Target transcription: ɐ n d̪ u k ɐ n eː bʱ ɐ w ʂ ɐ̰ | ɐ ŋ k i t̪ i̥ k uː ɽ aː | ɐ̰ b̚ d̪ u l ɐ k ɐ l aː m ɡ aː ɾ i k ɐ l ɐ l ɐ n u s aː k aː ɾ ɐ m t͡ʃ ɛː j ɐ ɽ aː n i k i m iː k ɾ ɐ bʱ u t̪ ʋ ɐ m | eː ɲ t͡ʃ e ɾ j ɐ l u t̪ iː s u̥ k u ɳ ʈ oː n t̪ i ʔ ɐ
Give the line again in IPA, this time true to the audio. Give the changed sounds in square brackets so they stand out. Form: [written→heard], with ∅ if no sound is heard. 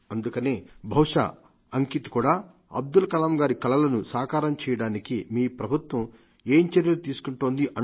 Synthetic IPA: ɐ n d̪ u k ɐ n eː bʱ ɐ w ʂ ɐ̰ | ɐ ŋ k i t̪ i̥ k uː ɽ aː | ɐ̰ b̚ d̪ u l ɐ k ɐ l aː m ɡ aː ɾ i k ɐ l ɐ l ɐ n u s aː k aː ɾ ɐ m t͡ʃ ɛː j ɐ ɽ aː n i k i m iː [k→p] ɾ ɐ bʱ u t̪ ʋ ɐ m | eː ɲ t͡ʃ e ɾ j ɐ l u t̪ iː s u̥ k u ɳ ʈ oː n [t̪→d̪] i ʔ ɐ